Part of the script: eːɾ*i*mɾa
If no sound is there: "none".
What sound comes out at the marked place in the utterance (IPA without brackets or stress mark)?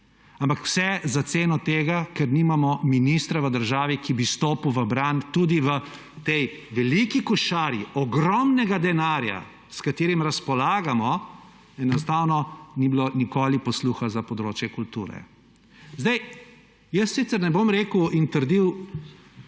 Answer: i